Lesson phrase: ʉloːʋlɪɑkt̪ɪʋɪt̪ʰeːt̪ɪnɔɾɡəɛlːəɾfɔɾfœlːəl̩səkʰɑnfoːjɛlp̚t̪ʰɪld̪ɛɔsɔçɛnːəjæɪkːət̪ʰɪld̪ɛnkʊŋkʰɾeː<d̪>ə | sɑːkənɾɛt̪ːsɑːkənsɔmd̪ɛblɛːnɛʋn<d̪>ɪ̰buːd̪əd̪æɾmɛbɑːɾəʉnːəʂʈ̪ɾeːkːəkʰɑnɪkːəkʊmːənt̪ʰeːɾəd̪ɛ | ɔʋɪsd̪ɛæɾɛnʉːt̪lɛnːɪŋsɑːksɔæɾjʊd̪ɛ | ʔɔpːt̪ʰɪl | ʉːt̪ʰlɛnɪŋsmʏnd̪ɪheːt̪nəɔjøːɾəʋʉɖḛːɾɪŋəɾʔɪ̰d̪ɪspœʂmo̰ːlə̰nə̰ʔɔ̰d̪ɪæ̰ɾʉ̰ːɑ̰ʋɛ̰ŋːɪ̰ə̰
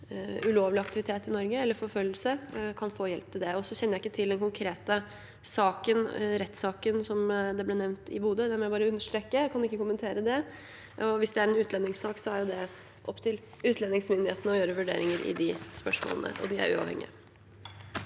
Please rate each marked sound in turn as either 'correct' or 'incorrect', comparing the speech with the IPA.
incorrect, incorrect

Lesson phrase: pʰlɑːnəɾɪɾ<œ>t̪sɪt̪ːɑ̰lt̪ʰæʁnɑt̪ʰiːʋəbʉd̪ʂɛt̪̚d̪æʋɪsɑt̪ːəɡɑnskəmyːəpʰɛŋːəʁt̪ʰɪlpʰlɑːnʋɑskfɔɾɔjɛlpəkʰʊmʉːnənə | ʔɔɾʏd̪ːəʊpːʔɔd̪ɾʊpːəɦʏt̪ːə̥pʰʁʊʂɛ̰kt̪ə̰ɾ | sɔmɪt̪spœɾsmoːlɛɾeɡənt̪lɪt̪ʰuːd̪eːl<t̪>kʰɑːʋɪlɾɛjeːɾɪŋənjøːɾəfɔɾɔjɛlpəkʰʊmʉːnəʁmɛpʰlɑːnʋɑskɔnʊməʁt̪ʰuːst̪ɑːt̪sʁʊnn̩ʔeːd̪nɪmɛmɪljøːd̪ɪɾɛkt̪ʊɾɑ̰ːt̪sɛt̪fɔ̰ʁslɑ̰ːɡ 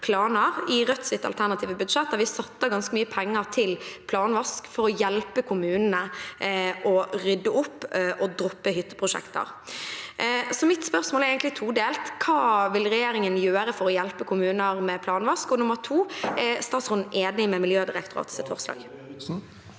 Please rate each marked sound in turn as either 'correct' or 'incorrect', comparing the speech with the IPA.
correct, correct

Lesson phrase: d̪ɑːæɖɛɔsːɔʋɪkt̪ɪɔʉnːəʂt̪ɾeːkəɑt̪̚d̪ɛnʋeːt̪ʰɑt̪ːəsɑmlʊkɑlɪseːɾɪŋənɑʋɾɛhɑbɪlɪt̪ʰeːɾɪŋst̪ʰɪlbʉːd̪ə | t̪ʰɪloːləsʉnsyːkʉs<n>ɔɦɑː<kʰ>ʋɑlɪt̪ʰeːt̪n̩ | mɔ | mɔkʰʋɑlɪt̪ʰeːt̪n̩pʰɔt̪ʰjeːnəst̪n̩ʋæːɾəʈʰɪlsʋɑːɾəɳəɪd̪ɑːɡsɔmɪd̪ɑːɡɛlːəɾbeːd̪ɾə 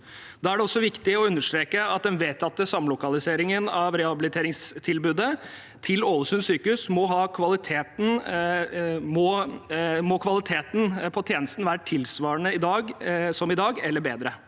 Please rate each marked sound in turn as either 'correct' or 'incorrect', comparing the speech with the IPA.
incorrect, correct

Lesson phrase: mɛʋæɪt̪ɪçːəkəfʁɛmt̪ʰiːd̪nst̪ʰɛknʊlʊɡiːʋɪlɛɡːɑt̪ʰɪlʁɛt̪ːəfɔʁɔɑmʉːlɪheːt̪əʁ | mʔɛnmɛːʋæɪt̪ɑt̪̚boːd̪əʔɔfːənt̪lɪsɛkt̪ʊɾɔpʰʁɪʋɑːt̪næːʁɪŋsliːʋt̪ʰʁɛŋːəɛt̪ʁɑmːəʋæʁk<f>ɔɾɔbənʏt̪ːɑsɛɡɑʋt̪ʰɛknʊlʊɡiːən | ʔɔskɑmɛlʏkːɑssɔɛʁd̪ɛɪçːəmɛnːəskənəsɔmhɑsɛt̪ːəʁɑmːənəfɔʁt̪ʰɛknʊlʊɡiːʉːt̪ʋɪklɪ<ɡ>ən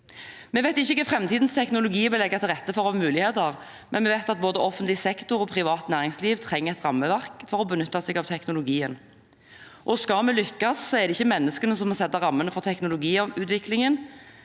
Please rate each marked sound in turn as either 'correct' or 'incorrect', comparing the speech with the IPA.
correct, incorrect

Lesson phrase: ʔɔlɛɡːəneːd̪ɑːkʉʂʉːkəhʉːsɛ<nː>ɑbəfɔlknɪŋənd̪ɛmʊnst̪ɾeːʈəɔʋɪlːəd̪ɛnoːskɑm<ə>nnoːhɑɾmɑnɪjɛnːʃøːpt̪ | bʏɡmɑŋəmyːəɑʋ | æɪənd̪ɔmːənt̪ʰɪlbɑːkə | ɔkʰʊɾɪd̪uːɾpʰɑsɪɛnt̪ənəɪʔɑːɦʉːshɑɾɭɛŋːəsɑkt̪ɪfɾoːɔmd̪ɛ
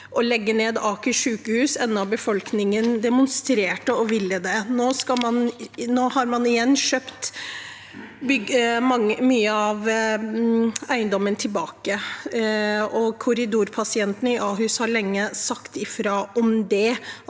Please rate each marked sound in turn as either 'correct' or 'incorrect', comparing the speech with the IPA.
correct, incorrect

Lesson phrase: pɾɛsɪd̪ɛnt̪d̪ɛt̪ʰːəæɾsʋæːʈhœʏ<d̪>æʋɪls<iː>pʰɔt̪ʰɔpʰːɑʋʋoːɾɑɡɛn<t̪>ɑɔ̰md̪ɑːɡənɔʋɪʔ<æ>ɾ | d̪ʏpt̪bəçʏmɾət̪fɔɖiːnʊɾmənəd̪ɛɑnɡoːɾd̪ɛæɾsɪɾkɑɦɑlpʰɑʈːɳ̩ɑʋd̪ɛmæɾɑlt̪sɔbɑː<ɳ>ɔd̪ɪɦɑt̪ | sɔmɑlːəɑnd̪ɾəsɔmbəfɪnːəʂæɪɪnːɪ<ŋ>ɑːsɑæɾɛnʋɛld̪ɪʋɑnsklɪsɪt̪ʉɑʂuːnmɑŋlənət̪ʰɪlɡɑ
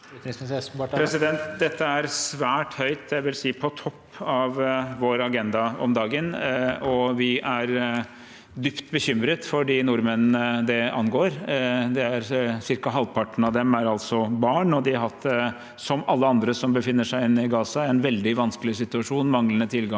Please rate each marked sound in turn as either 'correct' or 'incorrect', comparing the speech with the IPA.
incorrect, correct, incorrect, correct, correct, incorrect

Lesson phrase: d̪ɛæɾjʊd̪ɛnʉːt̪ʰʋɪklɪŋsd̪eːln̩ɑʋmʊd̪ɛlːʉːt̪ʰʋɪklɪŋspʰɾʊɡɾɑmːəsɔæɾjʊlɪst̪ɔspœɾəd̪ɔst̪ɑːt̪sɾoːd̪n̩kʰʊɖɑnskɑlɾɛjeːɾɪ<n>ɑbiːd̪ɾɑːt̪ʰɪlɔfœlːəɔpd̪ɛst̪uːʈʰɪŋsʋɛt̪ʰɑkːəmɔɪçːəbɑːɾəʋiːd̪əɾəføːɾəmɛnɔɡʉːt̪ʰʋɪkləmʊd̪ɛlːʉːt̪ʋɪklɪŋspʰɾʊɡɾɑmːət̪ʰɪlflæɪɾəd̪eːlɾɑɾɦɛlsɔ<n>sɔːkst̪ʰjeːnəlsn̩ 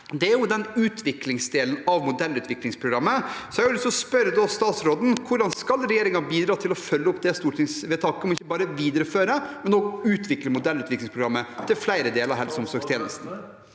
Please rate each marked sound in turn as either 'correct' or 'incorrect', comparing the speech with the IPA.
incorrect, incorrect

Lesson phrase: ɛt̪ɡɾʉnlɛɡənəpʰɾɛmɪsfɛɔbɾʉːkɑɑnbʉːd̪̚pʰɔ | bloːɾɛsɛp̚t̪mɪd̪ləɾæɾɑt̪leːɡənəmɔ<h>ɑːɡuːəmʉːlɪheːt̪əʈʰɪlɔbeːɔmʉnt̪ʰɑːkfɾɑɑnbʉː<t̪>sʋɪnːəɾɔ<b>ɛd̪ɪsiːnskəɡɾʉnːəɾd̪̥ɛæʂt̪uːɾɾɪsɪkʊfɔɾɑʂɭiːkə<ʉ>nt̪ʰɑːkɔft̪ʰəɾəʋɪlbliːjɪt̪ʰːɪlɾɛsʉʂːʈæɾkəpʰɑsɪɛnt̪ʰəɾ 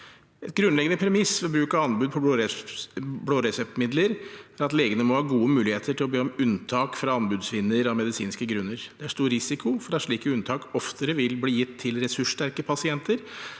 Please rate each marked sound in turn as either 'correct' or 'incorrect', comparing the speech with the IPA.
correct, incorrect, incorrect, correct

